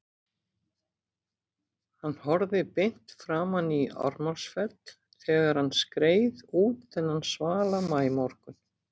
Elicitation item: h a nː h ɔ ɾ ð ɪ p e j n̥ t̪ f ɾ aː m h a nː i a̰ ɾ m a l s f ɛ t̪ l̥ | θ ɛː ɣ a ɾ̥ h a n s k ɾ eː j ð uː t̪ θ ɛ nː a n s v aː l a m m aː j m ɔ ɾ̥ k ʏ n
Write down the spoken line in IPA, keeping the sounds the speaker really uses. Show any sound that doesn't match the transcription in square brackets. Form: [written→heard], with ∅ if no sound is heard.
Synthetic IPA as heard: h a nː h ɔ ɾ ð ɪ p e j n̥ t̪ f ɾ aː m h a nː i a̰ ɾ m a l s f ɛ t̪ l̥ | θ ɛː ɣ a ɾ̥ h a n s k ɾ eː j ð uː t̪ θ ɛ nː a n s v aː l a m m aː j m ɔ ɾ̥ k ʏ n